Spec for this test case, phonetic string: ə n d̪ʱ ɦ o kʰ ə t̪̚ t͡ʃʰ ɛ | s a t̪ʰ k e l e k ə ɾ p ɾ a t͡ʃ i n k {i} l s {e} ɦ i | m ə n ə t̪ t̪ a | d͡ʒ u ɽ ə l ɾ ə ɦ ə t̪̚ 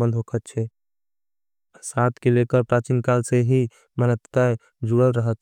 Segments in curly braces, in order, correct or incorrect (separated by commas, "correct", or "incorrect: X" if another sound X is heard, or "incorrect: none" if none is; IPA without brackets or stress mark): incorrect: a, correct